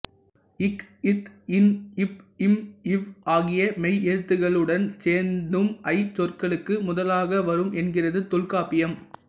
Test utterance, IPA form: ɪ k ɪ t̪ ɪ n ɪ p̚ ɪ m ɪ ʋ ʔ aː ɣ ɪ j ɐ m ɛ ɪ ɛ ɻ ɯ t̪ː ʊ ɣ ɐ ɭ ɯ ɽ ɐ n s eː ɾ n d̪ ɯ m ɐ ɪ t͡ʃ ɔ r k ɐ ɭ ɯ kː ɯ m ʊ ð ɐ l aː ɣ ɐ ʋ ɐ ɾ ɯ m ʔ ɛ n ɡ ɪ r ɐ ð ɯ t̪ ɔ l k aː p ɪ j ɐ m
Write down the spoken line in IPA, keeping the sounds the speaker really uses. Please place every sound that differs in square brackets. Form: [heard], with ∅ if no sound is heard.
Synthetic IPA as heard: ɪ k ɪ t̪ ɪ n ɪ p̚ ɪ m ɪ ʋ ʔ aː ɣ ɪ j ɐ m ɛ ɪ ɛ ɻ ɯ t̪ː [ɯ] ɣ ɐ ɭ ɯ ɽ ɐ n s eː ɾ n d̪ ɯ m ɐ ɪ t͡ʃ ɔ r k ɐ ɭ ɯ kː ɯ m ʊ ð ɐ l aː ɣ ɐ ʋ ɐ ɾ ɯ m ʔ ɛ n ɡ ɪ r ɐ ð ɯ t̪ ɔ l k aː p ɪ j ɐ m